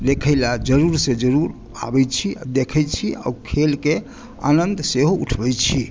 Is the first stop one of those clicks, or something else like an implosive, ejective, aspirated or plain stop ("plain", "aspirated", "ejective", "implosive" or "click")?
aspirated